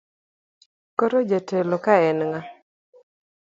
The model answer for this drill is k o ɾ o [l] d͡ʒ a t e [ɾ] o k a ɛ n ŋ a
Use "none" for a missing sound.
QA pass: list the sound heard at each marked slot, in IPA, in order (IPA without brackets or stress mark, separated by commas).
none, l